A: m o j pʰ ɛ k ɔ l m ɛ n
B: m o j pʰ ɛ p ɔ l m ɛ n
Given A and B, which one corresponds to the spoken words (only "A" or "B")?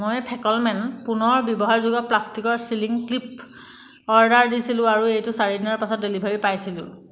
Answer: A